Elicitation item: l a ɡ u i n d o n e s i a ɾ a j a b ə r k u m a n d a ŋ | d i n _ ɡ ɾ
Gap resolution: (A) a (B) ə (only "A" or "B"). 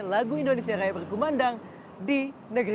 B